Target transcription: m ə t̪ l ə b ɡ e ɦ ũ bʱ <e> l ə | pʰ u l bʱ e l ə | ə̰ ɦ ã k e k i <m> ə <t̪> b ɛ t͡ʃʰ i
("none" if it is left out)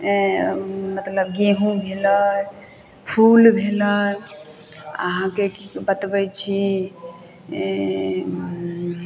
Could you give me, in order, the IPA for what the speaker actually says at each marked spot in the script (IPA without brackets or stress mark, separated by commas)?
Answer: e, b, t̪